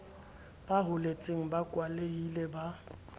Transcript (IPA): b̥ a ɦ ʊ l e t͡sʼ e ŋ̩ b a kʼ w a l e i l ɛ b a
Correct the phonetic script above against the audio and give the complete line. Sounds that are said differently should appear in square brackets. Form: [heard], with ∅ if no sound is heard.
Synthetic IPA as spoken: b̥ a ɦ ʊ l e t͡sʼ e ŋ̩ b a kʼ w a l e i l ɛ b a